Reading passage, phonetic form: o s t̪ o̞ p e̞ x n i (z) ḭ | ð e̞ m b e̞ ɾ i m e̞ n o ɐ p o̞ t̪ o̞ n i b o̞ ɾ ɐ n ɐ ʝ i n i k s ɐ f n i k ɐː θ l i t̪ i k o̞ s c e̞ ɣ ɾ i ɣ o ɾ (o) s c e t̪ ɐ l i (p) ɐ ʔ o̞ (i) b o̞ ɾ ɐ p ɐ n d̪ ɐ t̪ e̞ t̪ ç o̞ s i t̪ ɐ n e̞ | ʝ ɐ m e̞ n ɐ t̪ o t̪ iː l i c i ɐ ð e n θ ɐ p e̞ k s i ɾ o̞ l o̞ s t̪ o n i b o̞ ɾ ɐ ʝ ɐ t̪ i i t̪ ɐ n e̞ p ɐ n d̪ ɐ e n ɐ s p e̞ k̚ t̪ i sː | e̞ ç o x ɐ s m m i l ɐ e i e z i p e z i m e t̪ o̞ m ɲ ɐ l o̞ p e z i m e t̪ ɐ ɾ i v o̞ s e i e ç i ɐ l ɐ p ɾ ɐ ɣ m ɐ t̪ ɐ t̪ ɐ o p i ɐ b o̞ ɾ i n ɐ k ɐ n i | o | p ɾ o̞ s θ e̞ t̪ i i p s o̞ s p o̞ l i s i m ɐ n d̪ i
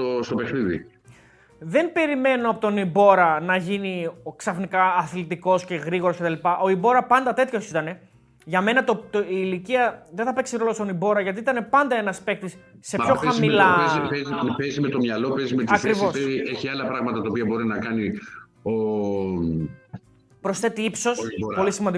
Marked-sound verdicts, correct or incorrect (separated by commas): incorrect, correct, correct, correct